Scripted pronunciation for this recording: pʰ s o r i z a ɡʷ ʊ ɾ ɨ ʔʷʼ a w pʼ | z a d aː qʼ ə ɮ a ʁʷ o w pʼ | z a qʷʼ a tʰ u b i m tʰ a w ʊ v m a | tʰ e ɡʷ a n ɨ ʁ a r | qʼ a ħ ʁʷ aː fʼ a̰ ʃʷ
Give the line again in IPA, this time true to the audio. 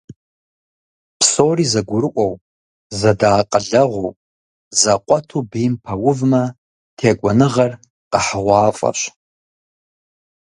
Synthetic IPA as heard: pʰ s o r i z a ɡʷ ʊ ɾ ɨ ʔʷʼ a w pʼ | z a d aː qʼ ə ɮ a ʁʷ o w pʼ | z a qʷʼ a tʰ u b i m pʰ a w ʊ v m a | tʰ e ɡʷ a n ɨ ʁ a r | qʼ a ħ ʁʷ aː fʼ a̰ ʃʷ